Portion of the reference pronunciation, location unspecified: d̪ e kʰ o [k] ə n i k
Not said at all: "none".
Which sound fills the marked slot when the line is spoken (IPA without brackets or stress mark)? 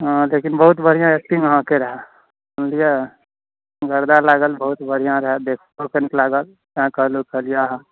k